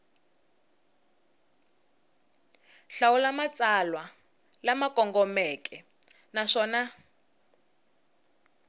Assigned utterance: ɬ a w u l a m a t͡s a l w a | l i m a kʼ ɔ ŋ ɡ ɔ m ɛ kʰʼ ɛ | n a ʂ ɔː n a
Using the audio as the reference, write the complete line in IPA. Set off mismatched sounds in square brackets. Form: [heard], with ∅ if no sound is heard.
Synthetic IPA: ɬ a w u l a m a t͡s a l w a | l [a] m a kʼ ɔ ŋ ɡ ɔ m ɛ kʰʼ ɛ | n a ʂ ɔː n a